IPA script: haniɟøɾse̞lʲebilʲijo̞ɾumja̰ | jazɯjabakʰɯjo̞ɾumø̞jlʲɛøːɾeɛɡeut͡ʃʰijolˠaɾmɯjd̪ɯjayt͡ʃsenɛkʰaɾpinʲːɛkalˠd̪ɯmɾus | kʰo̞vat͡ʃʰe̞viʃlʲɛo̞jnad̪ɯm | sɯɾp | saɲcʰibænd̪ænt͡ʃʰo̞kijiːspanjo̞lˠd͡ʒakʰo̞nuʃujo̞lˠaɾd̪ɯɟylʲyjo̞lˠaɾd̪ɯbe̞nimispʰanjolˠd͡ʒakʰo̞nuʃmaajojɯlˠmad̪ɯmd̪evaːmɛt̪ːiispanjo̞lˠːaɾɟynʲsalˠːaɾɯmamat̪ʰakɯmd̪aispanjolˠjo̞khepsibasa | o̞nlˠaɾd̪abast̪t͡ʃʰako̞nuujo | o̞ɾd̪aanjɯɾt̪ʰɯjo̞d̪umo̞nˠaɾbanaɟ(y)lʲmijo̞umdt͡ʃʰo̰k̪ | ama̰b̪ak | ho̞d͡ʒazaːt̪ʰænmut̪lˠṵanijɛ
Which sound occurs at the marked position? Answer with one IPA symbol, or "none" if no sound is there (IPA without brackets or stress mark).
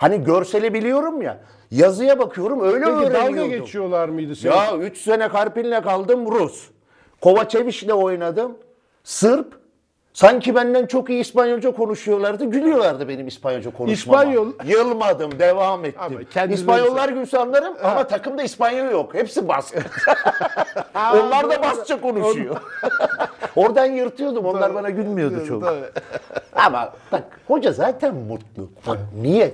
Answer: y